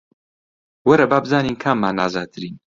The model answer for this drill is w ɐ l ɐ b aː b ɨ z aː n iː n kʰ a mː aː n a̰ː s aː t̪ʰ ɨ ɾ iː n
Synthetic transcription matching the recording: w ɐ ɾ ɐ b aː b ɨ z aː n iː n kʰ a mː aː n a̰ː z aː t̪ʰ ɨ ɾ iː n